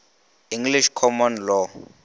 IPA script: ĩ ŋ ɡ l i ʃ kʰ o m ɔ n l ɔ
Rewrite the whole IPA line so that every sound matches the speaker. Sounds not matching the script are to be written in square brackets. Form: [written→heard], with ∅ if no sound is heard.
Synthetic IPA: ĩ ŋ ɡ l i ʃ kʰ [o→ɔ] m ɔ n l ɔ

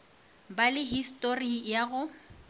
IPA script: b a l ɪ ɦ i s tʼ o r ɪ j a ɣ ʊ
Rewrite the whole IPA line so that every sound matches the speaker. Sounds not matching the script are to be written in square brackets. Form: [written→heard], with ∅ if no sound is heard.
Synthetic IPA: b a l ɪ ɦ i s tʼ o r [ɪ→i] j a ɣ ʊ

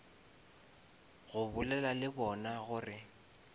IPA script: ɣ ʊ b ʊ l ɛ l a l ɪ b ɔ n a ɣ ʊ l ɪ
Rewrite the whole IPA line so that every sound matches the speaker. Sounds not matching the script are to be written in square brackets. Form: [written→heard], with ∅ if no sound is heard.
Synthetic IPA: ɣ ʊ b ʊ l ɛ l a l ɪ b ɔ n a ɣ ʊ [l→r] ɪ

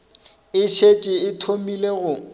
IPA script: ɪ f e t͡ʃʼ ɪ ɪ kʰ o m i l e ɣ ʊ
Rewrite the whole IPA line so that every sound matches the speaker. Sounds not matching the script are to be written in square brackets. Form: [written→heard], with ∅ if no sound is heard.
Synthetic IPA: ɪ [f→ʃ] e t͡ʃʼ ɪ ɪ [kʰ→tʰ] o m i l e ɣ ʊ

